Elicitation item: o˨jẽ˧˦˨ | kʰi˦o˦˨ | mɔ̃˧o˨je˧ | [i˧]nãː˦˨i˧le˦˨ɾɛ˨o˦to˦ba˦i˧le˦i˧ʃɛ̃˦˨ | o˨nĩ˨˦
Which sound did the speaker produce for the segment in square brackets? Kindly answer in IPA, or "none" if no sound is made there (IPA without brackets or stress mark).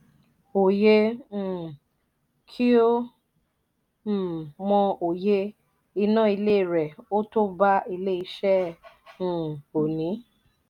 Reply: i˧